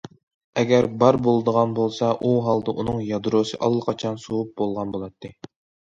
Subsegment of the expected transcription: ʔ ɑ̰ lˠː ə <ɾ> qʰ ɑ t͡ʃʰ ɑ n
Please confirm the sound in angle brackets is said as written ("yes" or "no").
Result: no